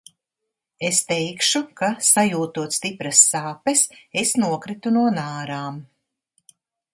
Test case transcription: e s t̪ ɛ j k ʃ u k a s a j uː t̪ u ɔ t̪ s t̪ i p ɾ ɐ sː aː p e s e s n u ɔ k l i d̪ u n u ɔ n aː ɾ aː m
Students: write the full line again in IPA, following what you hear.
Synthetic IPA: e s t̪ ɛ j k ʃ u k a s a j uː t̪ u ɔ t̪ s t̪ i p ɾ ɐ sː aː p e s e s n u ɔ k ɾ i t̪ u n u ɔ n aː ɾ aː m